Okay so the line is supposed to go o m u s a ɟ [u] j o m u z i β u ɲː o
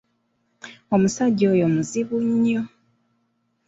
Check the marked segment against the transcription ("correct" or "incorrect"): incorrect